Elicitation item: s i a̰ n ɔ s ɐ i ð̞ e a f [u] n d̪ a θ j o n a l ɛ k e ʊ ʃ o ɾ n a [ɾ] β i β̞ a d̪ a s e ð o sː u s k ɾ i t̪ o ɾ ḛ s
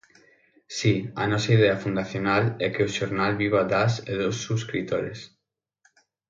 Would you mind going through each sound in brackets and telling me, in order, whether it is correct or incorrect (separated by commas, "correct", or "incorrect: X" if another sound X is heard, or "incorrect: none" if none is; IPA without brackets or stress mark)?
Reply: correct, incorrect: l